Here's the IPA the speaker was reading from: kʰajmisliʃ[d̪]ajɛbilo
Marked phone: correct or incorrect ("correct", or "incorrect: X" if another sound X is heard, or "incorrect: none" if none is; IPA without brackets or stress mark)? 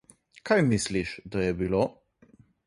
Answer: correct